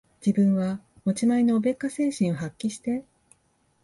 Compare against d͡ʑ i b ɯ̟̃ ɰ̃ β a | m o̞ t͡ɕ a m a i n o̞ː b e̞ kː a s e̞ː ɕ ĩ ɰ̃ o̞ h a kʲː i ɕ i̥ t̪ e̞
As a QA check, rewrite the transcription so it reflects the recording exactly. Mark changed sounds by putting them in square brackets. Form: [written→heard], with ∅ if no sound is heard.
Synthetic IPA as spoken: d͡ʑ i b ɯ̟̃ ɰ̃ β a | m o̞ t͡ɕ [a→i] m a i n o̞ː b e̞ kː a s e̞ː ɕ ĩ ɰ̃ o̞ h a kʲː i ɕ i̥ t̪ e̞

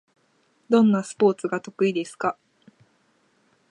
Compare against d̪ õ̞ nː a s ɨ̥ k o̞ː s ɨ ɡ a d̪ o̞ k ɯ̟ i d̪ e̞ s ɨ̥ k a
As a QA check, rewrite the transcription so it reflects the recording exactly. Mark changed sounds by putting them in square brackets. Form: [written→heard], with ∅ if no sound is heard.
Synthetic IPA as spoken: d̪ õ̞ nː a s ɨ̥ [k→p] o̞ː [s→t͡s] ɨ ɡ a [d̪→t̪] o̞ k ɯ̟ i d̪ e̞ s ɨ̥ k a

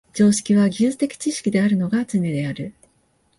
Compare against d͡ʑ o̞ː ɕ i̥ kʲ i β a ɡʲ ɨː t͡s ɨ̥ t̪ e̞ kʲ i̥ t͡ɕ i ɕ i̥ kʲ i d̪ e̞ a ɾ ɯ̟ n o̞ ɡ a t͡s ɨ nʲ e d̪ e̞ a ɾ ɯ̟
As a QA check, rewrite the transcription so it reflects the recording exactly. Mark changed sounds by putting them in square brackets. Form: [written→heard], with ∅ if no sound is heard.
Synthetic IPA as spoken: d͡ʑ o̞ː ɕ i̥ kʲ i β a ɡʲ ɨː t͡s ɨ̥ t̪ e̞ kʲ i̥ t͡ɕ i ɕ i̥ kʲ i d̪ e̞ a ɾ ɯ̟ n o̞ ɡ a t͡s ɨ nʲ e d̪ e̞ a ɾ ɯ̟

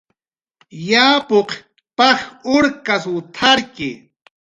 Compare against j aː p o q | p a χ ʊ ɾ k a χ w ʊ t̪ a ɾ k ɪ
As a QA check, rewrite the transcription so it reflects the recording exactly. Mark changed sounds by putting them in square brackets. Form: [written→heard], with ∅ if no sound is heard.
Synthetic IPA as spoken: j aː p o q | p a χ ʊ ɾ k a [χ→s] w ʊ [t̪→t̪ʰ] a ɾ k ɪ

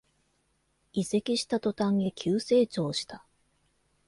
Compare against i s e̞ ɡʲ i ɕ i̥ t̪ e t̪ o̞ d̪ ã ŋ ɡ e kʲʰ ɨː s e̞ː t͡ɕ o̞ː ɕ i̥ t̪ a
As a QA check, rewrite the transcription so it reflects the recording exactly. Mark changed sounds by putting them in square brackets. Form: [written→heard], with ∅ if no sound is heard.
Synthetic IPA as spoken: i s e̞ [ɡʲ→kʲ] i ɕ i̥ t̪ [e→a] t̪ o̞ [d̪→t̪] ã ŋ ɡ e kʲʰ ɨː s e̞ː t͡ɕ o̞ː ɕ i̥ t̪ a

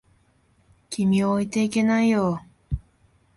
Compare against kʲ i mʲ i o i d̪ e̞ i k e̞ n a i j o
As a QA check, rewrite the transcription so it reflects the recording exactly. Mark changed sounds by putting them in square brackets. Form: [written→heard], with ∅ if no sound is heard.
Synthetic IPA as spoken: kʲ i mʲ i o i [d̪→t̪] e̞ i k e̞ n a i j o

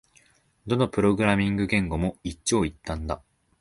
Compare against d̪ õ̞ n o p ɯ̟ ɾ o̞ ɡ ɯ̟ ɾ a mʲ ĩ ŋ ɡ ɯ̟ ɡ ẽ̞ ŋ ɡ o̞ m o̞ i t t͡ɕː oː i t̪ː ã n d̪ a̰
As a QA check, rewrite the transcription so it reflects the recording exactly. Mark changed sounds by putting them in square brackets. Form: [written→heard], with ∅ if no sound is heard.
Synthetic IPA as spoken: d̪ [õ̞→o̞] n o p ɯ̟ ɾ o̞ ɡ ɯ̟ ɾ a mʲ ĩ ŋ ɡ ɯ̟ ɡ ẽ̞ ŋ ɡ o̞ m o̞ i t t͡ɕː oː i t̪ː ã n d̪ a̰

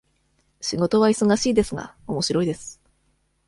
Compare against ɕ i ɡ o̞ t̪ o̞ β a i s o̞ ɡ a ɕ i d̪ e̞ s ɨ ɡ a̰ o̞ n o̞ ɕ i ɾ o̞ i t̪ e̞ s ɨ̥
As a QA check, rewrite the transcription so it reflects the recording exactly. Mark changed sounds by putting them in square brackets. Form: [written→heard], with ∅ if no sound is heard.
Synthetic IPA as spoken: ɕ i ɡ o̞ t̪ o̞ β a i s o̞ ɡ a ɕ [i→iː] d̪ e̞ s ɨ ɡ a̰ o̞ [n→m] o̞ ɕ i ɾ o̞ i [t̪→d̪] e̞ s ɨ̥

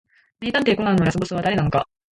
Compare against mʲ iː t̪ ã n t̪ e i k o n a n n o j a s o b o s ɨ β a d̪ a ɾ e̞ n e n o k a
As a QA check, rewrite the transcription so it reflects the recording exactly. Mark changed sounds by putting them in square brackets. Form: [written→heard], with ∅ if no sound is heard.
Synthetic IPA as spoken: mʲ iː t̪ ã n t̪ e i k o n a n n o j a s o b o s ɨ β a d̪ a ɾ e̞ n [e→a] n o k a

